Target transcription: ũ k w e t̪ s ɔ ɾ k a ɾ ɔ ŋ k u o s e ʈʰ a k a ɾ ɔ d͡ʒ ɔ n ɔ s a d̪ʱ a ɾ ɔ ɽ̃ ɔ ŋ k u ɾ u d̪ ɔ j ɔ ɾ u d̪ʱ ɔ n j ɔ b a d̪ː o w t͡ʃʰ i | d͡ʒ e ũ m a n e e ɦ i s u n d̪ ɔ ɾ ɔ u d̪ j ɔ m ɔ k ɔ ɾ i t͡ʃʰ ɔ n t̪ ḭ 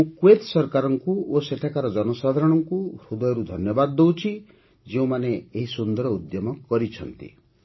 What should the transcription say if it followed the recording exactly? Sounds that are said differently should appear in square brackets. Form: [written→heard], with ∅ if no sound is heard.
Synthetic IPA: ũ k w e t̪ s ɔ ɾ k a ɾ ɔ ŋ k u o s e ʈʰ a k a ɾ ɔ d͡ʒ ɔ n ɔ s a d̪ʱ a ɾ ɔ ɽ̃ ɔ ŋ k u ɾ u d̪ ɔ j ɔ ɾ u d̪ʱ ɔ n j ɔ b a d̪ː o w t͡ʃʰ i | d͡ʒ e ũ m a n e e ɦ i s u n d̪ ɔ ɾ ɔ u d̪ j ɔ m ɔ k ɔ ɾ i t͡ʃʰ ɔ n t̪ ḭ